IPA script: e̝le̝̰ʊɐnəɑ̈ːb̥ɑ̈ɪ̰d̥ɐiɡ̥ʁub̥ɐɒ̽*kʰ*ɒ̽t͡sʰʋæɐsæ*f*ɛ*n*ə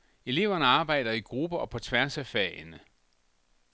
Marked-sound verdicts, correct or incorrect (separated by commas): incorrect, correct, correct